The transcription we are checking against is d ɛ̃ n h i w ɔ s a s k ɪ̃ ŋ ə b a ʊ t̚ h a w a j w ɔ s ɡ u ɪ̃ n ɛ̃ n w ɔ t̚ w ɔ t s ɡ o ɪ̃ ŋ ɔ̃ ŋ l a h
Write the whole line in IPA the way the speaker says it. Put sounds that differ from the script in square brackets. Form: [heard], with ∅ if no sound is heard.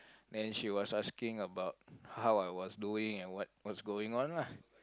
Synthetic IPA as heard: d ɛ̃ n [ʃ] i w ɔ s a s k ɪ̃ ŋ ə b a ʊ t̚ h a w a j w ɔ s [d] u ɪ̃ [ŋ] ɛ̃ n w ɔ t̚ w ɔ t s ɡ o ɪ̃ ŋ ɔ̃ [n] l a h